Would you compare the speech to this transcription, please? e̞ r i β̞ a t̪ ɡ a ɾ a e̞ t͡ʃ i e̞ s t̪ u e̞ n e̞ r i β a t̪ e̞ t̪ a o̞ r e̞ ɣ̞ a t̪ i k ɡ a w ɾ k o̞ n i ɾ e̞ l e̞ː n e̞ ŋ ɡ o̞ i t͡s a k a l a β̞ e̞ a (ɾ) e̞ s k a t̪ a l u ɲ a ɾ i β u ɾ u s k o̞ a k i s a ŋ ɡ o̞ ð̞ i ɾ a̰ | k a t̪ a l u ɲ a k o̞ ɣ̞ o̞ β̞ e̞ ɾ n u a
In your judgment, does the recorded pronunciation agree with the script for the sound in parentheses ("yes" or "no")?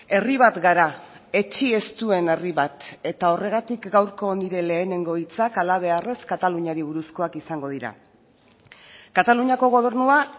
no